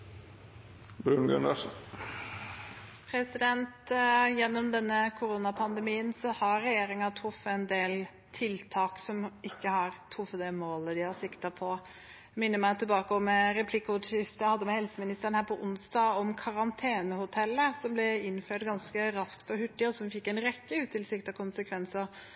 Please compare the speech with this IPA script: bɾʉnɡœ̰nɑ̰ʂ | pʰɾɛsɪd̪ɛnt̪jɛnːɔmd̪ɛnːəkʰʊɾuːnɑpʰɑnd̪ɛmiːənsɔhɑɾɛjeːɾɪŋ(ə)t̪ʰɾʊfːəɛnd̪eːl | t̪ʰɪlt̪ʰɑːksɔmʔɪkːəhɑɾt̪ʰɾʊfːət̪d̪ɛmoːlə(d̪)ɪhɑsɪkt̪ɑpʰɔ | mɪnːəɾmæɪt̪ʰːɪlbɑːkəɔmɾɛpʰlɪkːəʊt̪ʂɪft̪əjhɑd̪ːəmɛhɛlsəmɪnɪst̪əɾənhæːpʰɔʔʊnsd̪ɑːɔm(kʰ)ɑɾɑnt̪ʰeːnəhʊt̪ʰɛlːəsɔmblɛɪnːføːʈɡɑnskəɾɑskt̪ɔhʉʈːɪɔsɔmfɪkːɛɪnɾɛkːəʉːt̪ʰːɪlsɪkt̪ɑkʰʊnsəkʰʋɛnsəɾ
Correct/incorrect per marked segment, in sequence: incorrect, correct, correct

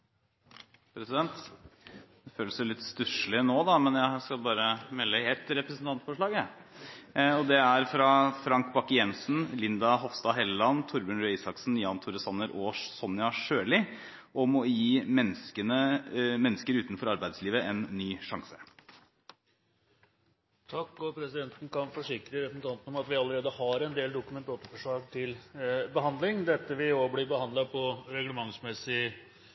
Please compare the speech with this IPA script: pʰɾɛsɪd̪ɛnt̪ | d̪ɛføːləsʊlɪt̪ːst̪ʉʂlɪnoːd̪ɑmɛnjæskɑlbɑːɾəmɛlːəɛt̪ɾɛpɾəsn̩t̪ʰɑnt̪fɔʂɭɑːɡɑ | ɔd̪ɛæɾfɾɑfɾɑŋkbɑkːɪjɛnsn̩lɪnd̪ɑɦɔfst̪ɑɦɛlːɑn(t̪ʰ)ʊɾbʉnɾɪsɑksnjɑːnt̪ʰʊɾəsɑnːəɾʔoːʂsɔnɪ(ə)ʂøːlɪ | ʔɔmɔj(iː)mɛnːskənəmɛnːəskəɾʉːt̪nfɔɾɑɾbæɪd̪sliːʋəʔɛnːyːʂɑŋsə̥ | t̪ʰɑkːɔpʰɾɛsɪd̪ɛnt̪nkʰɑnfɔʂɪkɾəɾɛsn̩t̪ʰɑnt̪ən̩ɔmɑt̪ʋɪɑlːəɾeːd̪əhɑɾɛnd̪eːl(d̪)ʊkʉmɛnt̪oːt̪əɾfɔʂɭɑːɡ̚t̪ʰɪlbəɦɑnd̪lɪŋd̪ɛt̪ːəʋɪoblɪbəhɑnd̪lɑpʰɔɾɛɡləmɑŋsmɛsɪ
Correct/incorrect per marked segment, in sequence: correct, incorrect, correct, correct

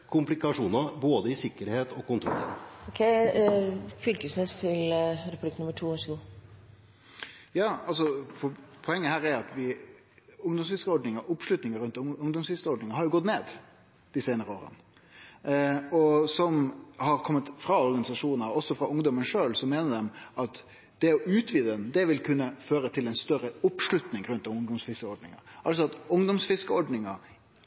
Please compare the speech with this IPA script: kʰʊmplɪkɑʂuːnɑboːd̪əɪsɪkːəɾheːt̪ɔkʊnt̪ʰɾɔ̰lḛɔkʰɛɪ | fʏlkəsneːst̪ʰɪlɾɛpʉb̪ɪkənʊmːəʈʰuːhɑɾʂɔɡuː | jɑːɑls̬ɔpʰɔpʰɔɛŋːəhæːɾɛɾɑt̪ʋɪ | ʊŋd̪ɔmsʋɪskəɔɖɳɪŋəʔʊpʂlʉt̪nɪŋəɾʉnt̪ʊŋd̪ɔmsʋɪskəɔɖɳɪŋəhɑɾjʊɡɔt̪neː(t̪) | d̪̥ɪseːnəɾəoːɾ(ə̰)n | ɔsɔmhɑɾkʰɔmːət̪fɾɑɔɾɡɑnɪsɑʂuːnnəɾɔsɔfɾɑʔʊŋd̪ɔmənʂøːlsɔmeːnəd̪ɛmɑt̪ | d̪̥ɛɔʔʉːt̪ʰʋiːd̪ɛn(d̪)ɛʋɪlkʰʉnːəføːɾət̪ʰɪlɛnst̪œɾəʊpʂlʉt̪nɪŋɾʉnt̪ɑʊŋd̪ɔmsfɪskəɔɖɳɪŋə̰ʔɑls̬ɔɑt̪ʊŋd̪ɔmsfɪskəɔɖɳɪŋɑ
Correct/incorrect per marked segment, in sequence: incorrect, correct, correct

